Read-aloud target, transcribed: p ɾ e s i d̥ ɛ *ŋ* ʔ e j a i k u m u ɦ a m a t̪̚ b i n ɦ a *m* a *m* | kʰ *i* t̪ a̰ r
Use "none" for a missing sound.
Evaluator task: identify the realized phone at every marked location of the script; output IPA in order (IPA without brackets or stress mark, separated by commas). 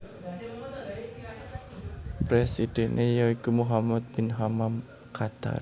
n, m, m, a